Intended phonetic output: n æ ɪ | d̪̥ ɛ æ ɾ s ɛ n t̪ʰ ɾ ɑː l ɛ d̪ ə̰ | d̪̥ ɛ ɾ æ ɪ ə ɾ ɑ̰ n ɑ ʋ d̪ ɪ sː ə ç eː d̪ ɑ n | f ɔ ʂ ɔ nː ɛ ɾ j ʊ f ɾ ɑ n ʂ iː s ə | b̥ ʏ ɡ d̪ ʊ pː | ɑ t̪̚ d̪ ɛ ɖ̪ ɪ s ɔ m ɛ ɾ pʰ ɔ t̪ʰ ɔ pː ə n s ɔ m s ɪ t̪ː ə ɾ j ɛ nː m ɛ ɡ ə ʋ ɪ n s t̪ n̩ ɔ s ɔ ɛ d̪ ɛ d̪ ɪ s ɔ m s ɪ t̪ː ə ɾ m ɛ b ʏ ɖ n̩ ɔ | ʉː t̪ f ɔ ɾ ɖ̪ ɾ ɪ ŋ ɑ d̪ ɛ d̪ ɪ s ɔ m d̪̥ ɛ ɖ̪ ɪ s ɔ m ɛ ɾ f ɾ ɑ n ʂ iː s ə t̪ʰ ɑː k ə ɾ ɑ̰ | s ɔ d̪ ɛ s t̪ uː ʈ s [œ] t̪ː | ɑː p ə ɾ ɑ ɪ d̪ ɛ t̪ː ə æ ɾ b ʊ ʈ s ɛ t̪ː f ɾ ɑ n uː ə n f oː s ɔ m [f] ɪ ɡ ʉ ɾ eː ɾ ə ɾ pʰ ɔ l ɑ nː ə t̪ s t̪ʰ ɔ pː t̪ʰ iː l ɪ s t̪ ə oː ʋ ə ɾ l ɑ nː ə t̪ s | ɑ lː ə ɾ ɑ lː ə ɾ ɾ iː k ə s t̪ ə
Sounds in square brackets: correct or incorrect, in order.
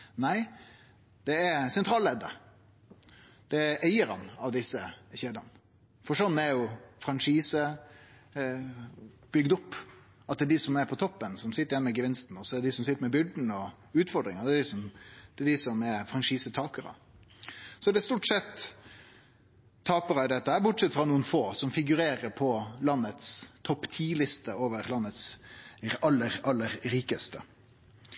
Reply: incorrect: ɛ, correct

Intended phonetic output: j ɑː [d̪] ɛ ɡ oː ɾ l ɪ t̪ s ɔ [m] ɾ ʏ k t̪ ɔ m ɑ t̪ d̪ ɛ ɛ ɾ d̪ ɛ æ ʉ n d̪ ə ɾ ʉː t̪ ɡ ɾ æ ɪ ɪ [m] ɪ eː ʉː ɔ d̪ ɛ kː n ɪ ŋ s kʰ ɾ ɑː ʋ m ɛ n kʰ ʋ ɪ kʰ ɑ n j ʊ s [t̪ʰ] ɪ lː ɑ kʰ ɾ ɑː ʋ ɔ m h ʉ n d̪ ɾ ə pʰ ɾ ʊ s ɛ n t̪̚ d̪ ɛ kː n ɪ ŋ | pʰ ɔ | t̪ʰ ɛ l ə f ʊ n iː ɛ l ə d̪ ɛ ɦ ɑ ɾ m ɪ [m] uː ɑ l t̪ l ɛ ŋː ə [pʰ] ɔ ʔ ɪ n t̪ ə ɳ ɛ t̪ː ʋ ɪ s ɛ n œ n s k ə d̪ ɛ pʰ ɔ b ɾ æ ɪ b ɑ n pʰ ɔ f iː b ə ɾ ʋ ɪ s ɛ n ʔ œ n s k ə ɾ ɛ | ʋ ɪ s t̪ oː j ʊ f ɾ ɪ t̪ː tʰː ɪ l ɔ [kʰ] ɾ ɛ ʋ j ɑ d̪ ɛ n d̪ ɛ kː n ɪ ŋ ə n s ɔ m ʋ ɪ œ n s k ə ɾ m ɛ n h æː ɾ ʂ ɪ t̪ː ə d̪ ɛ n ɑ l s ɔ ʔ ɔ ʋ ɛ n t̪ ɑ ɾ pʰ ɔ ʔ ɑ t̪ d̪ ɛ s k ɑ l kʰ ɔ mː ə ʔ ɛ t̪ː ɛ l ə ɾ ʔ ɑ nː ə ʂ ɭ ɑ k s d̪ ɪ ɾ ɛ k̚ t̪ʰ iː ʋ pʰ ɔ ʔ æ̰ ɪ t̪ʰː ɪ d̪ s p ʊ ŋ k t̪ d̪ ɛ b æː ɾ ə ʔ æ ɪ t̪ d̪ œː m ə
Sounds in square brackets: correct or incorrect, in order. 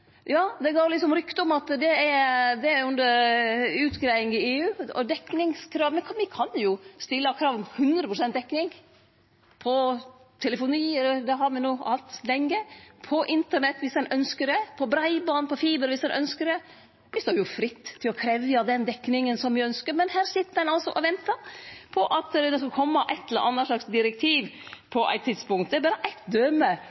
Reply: correct, correct, incorrect: ŋ, incorrect: t̪, incorrect: n, correct, correct

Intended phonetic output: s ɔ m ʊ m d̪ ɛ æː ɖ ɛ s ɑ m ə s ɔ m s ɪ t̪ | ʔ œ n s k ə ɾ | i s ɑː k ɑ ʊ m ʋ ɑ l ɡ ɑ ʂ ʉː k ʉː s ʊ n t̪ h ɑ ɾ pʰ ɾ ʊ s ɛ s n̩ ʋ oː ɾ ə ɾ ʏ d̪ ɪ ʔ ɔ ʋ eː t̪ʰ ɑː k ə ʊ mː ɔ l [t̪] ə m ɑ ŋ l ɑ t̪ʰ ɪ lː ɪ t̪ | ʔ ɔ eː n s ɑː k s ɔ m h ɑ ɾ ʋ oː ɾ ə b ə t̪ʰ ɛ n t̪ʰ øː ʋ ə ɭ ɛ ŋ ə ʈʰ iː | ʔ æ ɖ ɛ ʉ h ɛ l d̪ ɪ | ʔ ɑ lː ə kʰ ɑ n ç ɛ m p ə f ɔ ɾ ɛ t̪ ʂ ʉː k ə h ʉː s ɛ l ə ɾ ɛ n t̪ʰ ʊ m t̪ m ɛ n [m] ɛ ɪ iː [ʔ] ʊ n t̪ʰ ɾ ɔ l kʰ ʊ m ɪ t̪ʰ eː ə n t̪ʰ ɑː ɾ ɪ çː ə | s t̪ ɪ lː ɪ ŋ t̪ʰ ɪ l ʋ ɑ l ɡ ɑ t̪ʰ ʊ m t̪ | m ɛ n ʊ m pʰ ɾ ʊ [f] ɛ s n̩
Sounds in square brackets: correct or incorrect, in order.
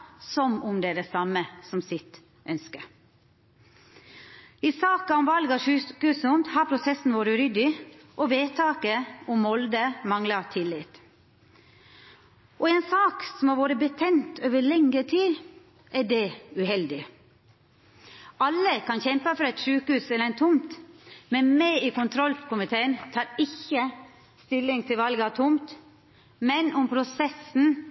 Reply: incorrect: d̪, correct, incorrect: k, incorrect: s

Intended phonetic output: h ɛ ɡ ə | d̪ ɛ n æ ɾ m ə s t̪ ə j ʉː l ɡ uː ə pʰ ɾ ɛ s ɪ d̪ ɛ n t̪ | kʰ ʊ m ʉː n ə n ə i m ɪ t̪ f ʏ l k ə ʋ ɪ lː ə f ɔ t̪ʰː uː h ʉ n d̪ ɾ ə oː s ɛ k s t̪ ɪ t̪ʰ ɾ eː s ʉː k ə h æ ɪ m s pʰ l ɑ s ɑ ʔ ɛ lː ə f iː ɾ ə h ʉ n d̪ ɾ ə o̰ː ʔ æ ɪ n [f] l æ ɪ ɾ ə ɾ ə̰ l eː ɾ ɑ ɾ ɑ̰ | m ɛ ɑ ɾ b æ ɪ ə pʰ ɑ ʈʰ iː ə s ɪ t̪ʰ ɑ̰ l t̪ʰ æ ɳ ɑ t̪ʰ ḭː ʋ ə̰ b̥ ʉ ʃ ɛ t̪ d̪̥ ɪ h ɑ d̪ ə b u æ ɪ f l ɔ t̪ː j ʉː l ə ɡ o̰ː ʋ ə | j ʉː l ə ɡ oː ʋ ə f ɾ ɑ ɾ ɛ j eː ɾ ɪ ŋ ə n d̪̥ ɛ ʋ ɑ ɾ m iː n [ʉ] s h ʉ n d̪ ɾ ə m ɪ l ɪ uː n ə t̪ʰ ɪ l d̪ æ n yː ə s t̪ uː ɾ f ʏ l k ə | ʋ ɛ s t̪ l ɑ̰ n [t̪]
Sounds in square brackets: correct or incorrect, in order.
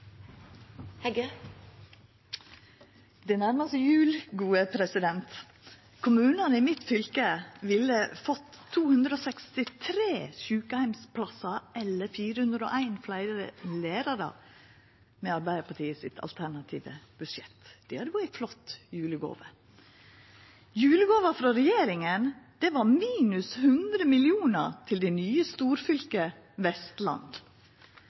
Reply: correct, correct, incorrect: d̪

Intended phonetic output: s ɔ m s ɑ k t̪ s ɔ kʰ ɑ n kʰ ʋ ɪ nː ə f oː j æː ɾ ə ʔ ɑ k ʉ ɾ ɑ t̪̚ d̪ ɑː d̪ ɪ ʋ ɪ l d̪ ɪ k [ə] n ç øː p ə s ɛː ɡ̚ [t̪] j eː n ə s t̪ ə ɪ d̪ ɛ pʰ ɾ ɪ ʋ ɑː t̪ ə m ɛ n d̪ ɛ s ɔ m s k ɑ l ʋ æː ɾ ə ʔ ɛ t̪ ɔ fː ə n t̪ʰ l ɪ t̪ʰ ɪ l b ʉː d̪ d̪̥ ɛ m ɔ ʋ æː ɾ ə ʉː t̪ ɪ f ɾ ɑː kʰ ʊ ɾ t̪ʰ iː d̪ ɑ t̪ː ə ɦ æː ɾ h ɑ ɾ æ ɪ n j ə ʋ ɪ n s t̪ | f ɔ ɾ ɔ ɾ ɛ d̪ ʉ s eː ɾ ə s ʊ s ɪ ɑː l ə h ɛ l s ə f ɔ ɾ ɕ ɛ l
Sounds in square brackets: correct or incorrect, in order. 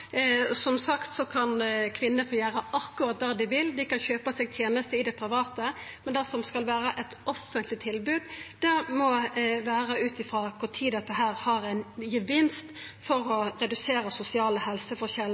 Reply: incorrect: ɑ, incorrect: t̪ʰ

